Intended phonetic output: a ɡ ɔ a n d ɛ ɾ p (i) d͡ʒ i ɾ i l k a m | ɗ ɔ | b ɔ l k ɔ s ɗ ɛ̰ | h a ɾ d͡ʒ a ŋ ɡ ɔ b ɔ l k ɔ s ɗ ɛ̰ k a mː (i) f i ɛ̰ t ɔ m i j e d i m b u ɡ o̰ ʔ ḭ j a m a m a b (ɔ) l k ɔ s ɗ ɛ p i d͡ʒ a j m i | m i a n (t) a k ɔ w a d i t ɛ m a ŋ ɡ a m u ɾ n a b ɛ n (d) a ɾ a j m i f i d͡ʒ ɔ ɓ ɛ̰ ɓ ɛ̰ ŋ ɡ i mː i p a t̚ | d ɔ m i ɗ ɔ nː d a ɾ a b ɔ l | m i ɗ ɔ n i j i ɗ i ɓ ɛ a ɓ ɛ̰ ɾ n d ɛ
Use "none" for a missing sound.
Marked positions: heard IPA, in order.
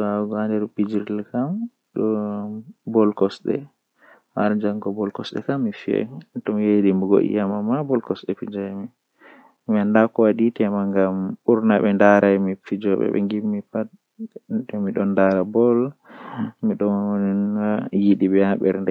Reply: i, i, ɔ, d, d

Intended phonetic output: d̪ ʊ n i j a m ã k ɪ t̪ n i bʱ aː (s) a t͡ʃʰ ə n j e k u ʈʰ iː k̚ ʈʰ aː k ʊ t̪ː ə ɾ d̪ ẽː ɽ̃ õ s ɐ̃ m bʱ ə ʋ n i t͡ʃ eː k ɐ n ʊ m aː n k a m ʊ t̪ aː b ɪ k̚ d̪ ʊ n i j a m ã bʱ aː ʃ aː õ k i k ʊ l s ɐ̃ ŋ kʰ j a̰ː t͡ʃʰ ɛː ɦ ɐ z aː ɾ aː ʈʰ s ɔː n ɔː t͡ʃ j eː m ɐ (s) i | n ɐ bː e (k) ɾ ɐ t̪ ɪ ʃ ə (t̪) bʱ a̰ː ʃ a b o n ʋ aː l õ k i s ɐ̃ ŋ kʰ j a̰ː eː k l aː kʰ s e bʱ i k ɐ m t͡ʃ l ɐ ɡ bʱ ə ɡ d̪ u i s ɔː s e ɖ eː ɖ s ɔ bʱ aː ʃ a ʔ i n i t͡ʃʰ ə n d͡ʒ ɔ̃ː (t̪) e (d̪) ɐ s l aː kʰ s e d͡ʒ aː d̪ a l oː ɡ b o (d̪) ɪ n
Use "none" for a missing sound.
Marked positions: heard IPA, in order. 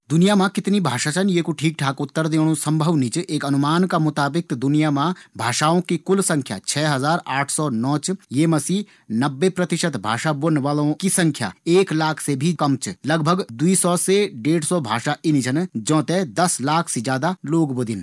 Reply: ʃ, s, p, t̪, t̪, d̪, d̪

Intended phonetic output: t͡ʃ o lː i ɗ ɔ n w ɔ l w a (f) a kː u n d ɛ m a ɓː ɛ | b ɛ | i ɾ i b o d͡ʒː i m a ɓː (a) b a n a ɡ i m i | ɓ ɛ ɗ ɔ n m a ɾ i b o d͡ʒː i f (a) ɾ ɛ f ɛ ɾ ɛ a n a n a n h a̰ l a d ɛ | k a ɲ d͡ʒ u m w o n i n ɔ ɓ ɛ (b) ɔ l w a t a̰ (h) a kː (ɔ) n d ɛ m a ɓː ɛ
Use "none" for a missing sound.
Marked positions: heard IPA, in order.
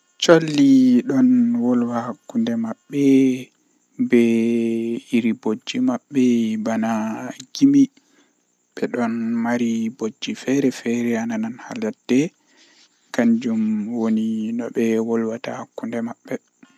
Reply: h, ɛ, ɛ, w, h, u

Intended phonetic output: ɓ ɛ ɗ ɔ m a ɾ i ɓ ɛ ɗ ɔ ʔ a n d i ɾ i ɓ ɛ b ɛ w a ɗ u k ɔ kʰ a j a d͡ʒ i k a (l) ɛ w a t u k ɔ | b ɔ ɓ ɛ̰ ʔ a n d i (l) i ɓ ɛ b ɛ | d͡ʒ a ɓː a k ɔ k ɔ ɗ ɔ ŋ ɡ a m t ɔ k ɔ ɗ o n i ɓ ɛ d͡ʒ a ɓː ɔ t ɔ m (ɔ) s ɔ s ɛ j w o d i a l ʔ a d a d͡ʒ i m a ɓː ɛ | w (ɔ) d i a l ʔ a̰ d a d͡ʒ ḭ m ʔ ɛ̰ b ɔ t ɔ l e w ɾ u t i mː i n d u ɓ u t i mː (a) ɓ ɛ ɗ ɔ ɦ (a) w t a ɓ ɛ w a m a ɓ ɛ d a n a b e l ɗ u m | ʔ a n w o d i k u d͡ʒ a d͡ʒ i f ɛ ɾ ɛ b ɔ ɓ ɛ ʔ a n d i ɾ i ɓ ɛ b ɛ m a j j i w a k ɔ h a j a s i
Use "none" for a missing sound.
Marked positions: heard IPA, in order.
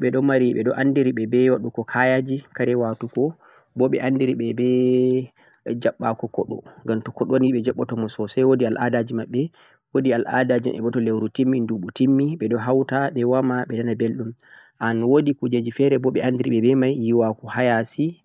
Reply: ɾ, ɾ, ɔ, o, i, a

